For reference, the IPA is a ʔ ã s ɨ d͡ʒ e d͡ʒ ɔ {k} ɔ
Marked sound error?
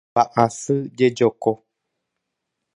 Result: no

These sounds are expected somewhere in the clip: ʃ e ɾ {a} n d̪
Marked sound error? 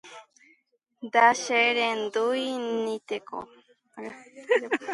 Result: yes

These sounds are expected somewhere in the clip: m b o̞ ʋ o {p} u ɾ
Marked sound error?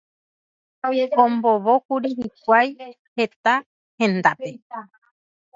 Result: yes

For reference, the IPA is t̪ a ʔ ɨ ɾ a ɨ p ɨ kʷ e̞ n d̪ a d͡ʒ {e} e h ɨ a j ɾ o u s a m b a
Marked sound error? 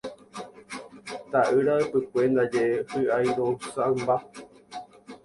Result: no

